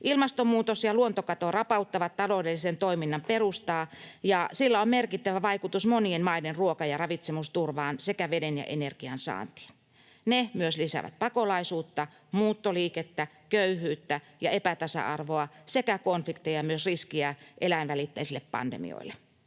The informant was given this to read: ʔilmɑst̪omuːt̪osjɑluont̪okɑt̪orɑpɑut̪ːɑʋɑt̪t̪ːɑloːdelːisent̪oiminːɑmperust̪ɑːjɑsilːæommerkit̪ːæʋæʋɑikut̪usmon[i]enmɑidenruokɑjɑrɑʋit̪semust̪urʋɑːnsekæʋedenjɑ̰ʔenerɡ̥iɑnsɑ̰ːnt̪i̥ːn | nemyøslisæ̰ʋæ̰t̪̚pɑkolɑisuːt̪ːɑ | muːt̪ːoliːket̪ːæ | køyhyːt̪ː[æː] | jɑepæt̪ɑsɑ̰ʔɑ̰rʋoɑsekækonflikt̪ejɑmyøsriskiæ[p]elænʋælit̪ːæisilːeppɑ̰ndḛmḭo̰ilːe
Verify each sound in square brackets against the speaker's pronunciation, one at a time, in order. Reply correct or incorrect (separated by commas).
correct, incorrect, incorrect